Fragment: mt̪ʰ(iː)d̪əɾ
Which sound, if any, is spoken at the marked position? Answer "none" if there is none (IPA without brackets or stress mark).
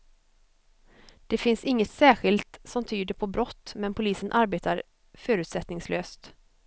yː